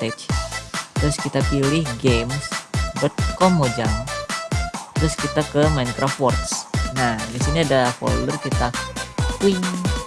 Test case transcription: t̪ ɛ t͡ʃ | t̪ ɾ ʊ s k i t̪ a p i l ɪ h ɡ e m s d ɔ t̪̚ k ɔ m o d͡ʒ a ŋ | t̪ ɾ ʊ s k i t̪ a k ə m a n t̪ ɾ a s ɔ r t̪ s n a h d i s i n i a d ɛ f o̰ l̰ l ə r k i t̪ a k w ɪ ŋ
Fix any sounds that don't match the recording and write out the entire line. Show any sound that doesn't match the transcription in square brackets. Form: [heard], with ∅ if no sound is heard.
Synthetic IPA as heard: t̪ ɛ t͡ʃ | t̪ ɾ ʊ s k i t̪ a p i l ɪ h ɡ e m s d ɔ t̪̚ k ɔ m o d͡ʒ a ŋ | t̪ ɾ ʊ s k i t̪ a k ə m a n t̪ ɾ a [f] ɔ r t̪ s n a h d i s i n i a d [a] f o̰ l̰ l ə r k i t̪ a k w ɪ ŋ